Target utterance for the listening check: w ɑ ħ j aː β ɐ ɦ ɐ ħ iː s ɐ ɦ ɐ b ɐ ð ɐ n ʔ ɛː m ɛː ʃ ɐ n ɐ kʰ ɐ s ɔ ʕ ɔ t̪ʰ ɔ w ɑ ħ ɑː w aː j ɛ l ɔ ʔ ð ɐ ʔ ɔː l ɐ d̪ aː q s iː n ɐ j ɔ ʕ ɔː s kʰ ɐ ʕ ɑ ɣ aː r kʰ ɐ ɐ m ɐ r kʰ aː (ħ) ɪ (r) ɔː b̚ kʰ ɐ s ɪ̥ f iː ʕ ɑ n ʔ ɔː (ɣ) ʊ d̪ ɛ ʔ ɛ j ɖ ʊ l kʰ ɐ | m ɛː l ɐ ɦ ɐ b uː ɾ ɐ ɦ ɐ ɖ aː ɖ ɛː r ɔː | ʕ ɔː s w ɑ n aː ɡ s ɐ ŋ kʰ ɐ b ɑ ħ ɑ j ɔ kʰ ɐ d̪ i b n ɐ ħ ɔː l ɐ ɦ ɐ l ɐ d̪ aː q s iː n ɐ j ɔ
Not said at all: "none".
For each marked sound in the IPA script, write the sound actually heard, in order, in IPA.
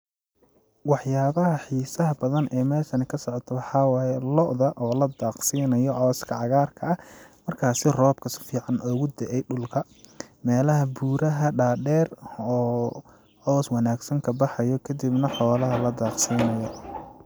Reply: s, r, ɣ

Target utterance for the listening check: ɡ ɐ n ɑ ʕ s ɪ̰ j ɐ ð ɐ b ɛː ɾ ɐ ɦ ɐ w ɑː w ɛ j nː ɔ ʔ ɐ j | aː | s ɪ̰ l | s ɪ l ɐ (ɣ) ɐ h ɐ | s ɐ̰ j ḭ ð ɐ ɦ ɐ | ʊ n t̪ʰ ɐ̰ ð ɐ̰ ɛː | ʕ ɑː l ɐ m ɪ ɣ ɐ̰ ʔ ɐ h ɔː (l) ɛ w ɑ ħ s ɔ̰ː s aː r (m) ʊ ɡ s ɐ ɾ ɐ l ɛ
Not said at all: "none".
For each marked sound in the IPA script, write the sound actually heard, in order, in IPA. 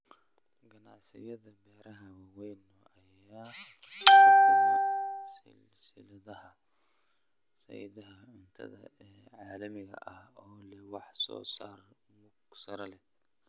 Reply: ð, l, m

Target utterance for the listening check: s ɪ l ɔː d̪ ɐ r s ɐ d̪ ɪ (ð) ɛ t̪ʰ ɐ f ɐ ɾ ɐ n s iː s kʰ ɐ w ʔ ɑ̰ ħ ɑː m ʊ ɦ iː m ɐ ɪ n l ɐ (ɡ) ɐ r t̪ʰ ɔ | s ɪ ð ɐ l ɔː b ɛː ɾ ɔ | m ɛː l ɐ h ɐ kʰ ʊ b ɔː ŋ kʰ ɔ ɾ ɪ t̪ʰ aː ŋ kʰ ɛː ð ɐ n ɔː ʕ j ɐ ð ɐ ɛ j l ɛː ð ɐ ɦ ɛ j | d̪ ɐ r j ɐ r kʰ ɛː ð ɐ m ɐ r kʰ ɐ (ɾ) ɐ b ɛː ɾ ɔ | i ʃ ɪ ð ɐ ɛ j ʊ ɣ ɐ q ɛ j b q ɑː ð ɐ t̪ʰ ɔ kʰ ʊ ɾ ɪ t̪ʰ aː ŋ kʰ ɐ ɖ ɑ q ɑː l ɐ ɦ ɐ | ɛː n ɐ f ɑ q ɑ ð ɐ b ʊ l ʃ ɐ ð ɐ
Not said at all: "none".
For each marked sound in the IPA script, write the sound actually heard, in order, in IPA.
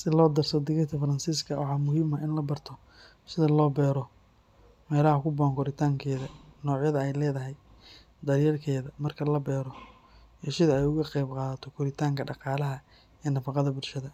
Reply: ɣ, b, l

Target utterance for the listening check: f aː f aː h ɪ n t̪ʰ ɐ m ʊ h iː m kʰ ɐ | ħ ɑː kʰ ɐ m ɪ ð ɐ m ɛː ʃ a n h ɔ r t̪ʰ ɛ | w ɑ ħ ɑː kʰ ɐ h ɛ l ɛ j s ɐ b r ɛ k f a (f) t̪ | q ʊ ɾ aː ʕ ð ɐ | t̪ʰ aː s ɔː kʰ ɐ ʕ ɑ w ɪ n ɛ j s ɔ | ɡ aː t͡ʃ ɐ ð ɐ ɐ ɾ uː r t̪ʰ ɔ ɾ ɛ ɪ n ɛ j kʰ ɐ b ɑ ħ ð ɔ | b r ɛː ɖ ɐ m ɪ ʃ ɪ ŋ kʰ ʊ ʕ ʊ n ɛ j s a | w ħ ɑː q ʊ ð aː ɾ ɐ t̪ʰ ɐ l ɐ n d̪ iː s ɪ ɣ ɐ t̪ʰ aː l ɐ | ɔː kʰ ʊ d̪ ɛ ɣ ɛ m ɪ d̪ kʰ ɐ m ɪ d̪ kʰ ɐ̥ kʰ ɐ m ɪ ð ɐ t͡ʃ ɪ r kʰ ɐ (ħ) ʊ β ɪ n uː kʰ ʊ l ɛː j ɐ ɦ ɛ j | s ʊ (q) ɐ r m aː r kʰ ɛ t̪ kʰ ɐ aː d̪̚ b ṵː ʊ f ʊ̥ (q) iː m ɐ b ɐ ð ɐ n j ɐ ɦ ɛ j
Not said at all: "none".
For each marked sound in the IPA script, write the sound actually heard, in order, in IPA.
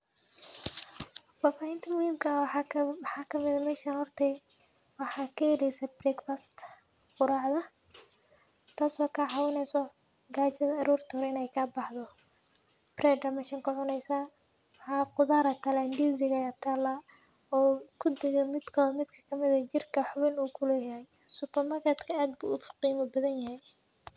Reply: s, ħ, p, q

